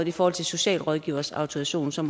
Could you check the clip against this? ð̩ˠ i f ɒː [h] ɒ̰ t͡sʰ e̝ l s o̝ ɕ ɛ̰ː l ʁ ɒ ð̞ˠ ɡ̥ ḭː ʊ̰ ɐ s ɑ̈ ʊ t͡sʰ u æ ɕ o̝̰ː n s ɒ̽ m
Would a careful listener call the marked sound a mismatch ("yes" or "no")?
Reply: no